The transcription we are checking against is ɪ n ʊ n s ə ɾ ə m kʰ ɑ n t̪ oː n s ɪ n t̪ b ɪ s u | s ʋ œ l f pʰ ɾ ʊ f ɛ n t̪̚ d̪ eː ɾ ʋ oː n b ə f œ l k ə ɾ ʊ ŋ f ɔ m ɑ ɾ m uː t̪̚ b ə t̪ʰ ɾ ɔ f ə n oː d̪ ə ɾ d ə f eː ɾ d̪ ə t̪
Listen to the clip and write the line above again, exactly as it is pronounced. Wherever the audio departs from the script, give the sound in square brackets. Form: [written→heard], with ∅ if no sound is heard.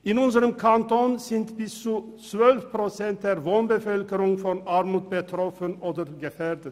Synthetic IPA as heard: ɪ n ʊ n s ə ɾ ə m kʰ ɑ n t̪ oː n s ɪ n t̪ b ɪ s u | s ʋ œ l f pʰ ɾ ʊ [f→s] ɛ n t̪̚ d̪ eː ɾ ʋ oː n b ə f œ l k ə ɾ ʊ ŋ f ɔ [m→n] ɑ ɾ m uː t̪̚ b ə t̪ʰ ɾ ɔ f ə n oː d̪ ə ɾ [d→ɡ] ə f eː ɾ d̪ ə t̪